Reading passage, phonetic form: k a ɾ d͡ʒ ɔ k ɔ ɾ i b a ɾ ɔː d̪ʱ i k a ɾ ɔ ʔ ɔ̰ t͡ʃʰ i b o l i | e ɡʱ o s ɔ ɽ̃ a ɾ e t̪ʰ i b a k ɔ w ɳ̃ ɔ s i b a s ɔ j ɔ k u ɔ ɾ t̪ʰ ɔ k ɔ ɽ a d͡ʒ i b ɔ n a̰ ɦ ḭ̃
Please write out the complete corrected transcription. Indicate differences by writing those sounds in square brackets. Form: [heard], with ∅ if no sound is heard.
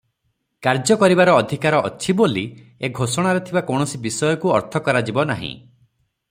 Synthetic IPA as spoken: k a ɾ d͡ʒ ɔ k ɔ ɾ i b a ɾ ɔː d̪ʱ i k a ɾ ɔ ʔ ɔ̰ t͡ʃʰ i b o l i | e ɡʱ o s ɔ ɽ̃ a ɾ e t̪ʰ i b a k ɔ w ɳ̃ ɔ s i b [i] s ɔ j ɔ k u ɔ ɾ t̪ʰ ɔ k ɔ [ɾ] a d͡ʒ i b ɔ n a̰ ɦ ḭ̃